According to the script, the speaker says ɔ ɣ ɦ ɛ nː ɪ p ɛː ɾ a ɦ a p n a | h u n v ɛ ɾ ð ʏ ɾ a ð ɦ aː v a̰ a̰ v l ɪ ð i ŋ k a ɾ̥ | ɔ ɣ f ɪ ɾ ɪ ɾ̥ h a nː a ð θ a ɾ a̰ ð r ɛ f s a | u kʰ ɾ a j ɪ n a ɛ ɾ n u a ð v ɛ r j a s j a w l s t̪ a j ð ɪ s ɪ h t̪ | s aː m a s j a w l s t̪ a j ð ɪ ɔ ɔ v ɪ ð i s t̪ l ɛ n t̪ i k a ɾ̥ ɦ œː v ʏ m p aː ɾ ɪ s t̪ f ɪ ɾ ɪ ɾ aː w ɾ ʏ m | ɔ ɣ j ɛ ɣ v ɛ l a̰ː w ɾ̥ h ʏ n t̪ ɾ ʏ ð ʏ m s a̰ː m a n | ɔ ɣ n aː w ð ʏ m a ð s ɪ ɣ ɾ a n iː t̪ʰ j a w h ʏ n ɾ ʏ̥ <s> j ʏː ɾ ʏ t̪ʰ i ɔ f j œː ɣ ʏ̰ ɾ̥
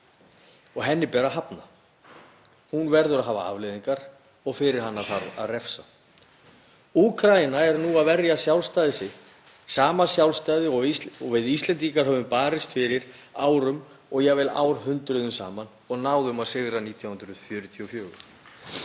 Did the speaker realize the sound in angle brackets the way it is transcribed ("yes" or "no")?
no